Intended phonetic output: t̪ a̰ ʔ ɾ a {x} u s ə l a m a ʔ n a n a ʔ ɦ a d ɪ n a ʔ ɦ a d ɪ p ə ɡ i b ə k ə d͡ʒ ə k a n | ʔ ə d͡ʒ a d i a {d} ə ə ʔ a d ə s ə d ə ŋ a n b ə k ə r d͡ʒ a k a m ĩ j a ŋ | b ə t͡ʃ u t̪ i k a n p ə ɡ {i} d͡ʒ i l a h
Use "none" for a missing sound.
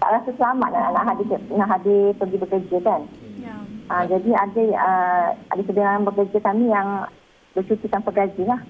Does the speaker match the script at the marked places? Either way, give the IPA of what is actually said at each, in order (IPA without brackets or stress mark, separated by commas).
s, d, a